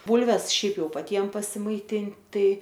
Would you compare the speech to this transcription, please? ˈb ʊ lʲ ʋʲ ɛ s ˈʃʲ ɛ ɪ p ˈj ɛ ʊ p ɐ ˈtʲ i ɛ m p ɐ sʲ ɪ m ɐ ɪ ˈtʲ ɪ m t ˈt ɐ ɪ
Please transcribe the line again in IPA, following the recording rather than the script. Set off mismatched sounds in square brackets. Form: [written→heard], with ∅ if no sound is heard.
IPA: ˈb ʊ lʲ ʋʲ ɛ s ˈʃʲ ɛ ɪ p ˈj ɛ ʊ p ɐ ˈtʲ i ɛ m p ɐ sʲ ɪ m ɐ ɪ ˈtʲ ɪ [m→n] t ˈt ɐ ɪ